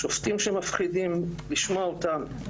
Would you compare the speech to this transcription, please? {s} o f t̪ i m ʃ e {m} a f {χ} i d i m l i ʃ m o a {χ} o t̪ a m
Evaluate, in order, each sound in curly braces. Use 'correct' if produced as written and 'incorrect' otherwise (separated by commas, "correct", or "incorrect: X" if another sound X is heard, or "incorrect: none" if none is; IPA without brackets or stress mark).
incorrect: ʃ, correct, correct, incorrect: none